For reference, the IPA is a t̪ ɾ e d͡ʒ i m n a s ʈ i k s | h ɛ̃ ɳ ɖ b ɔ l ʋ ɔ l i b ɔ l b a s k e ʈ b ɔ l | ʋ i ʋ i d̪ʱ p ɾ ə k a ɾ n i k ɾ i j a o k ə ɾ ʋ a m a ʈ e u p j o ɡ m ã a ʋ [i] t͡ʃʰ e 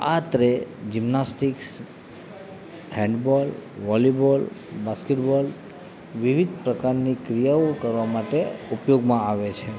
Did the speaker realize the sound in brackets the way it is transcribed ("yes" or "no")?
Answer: no